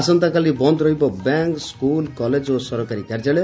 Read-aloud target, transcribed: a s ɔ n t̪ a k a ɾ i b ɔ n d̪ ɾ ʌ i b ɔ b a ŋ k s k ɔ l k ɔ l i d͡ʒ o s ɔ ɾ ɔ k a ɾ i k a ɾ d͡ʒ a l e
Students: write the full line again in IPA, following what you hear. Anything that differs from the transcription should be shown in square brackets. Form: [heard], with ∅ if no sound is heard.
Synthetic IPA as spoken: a s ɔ n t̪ a k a [l] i b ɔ n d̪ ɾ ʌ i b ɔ b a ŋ k s k [u] l k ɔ l [e] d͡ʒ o s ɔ ɾ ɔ k a ɾ i k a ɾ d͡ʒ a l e